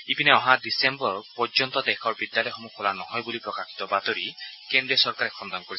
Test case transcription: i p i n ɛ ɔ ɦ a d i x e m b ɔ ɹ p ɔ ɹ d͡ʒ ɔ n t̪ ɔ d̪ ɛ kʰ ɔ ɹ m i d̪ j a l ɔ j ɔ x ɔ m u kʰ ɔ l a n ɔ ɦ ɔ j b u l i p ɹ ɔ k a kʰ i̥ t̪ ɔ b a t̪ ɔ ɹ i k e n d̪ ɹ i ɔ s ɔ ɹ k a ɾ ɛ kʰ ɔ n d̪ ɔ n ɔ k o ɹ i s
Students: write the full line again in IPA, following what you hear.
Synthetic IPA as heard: i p i n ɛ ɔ ɦ a d i s e m b ɔ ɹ p ɔ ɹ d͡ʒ ɔ n t̪ ɔ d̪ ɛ kʰ ɔ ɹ b i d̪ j a l ɔ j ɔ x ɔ m u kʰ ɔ l a n ɔ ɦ ɔ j b u l i p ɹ ɔ k a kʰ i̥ t̪ ɔ b a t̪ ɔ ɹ i k e n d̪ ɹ i ɔ s ɔ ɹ k a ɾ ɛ kʰ ɔ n d̪ ɔ n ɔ k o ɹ i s

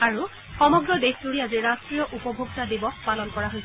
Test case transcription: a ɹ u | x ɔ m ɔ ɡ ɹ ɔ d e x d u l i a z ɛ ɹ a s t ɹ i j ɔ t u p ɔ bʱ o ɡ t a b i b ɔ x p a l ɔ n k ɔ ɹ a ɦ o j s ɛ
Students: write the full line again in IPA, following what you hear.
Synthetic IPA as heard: a ɹ u | x ɔ m ɔ ɡ ɹ ɔ d e x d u ɹ i a z i ɹ a s t ɹ i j ɔ ʔ u p ɔ bʱ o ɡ t a d i b ɔ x p a l ɔ n k ɔ ɹ a ɦ o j s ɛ

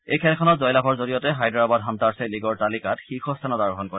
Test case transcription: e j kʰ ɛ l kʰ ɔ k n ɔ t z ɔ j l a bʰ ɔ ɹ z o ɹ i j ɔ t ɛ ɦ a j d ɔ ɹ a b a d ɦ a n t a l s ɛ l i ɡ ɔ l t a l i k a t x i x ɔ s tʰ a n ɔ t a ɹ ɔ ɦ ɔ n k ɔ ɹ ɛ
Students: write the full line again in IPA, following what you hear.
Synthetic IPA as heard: e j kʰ ɛ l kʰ ɔ n ɔ t z ɔ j l a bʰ ɔ ɹ z o ɹ i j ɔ t ɛ ɦ a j d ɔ ɹ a b a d ɦ a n t a ɹ s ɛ l i ɡ ɔ ɹ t a l i k a t x i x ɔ s tʰ a n ɔ t a ɹ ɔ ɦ ɔ n k ɔ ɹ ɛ

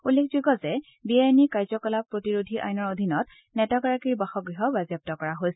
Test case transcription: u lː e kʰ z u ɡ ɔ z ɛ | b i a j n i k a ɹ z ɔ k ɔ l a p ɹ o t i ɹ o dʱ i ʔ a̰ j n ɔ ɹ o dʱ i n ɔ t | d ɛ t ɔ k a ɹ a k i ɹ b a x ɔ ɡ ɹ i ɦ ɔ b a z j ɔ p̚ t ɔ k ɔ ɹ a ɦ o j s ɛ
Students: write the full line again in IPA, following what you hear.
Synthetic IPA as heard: u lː e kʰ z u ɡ ɔ z ɛ | b i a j n i k a ɹ z ɔ k ɔ l a p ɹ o t i ɹ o dʱ i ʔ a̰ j n ɔ ɹ o dʱ i n ɔ t | n ɛ t ɔ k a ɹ a k i ɹ b a x ɔ ɡ ɹ i ɦ ɔ b a z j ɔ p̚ t ɔ k ɔ ɹ a ɦ o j s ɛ

